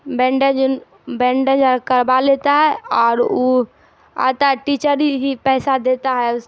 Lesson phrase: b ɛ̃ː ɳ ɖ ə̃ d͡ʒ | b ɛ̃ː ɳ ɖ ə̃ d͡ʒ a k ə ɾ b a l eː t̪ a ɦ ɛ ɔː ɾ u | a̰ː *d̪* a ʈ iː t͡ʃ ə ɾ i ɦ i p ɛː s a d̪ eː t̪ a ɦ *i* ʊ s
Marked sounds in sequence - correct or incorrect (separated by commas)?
incorrect, incorrect